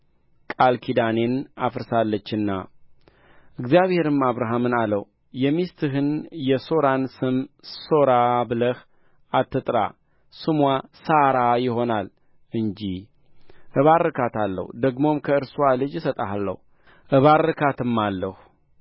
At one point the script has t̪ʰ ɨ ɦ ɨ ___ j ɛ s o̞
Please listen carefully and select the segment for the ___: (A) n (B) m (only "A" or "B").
A